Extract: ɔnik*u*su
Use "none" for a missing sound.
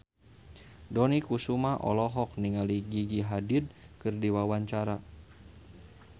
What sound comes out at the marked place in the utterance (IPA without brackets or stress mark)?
u